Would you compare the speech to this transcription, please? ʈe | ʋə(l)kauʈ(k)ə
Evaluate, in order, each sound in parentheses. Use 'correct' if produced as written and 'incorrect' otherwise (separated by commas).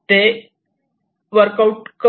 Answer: incorrect, correct